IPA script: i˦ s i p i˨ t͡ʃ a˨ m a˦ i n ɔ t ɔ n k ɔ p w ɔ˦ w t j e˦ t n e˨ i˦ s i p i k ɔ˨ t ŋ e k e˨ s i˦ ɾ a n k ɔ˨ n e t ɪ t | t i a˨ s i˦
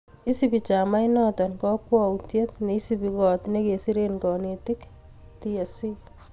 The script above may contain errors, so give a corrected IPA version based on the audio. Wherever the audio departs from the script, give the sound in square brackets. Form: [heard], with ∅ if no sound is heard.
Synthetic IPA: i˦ s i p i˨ t͡ʃ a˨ m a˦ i n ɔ t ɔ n k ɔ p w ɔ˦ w t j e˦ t n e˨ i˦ s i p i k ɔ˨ t [n] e k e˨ s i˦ ɾ [e] n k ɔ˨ n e t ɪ [k] | t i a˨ s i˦